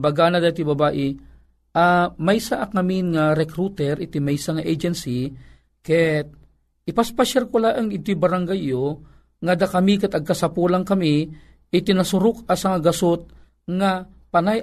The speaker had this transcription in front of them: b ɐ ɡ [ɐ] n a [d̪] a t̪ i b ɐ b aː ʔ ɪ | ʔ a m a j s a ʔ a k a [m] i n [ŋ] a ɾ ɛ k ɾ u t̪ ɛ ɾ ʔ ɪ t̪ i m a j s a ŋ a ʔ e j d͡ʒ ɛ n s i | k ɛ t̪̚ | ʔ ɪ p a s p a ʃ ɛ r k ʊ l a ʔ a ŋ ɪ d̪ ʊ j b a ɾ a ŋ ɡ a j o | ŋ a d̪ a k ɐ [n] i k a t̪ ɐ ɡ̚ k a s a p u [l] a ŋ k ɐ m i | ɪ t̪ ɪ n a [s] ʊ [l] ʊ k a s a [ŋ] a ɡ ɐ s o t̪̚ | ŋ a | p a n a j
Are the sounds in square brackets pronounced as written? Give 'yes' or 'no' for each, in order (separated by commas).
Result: no, yes, yes, yes, no, yes, yes, no, yes